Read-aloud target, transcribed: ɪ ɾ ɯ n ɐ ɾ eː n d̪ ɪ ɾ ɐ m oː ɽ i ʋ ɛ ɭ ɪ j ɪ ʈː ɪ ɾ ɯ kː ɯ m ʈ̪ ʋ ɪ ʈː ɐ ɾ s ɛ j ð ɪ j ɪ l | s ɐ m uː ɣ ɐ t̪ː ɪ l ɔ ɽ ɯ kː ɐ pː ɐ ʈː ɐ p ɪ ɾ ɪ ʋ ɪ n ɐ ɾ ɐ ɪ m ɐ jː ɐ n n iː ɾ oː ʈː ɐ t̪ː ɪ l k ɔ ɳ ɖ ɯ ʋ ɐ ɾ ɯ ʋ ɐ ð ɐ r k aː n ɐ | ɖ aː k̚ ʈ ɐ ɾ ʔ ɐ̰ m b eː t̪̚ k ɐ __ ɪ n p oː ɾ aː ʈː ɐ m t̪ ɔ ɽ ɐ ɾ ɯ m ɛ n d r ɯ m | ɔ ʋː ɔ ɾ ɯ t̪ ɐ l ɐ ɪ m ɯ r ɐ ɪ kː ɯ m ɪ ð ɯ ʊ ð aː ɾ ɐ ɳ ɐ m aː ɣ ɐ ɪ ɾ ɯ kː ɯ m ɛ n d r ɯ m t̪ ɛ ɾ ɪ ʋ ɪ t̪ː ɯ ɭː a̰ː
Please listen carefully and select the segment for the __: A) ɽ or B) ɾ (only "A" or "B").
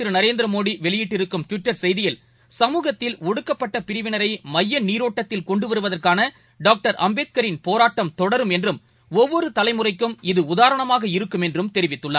B